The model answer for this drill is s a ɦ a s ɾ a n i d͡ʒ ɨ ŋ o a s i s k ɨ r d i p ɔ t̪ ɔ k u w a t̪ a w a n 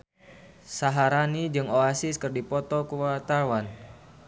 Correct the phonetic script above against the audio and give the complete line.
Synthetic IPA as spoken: s a ɦ a ɾ a n i d͡ʒ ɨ ŋ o a s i s k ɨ r d i p ɔ t̪ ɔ k u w a t̪ a w a n